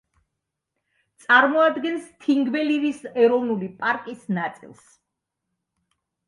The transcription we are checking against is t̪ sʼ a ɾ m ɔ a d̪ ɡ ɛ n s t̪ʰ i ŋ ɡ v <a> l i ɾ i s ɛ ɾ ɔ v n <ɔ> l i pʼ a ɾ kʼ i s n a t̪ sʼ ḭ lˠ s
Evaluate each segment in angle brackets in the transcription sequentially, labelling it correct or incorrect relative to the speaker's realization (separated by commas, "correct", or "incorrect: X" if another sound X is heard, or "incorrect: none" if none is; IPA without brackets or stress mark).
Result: incorrect: ɛ, incorrect: u